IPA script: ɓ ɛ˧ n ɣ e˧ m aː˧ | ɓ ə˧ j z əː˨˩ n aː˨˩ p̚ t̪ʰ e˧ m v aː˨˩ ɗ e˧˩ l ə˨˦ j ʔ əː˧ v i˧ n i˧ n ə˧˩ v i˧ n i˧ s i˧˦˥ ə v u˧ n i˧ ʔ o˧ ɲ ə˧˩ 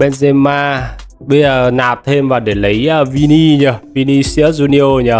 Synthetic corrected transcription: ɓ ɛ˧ n z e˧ m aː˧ | ɓ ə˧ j z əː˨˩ n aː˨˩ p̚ t̪ʰ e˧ m v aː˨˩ ɗ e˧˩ l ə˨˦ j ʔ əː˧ v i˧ n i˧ ɲ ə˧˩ v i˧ n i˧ s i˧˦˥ ə z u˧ n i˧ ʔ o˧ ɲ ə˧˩